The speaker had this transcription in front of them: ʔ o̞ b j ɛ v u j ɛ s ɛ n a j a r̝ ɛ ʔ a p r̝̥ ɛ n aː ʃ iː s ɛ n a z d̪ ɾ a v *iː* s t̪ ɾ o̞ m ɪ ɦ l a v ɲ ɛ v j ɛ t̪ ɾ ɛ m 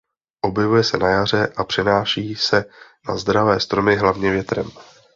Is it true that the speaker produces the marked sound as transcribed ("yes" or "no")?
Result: no